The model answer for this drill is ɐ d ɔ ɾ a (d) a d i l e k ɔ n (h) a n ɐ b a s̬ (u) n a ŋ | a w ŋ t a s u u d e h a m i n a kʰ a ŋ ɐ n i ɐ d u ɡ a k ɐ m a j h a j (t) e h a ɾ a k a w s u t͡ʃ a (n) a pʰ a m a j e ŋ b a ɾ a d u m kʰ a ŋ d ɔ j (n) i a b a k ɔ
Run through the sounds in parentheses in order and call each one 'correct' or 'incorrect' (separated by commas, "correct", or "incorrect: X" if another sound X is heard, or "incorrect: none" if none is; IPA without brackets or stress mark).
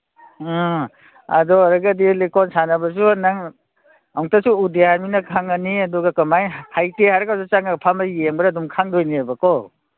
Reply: incorrect: ɡ, incorrect: s, correct, correct, incorrect: ŋ, correct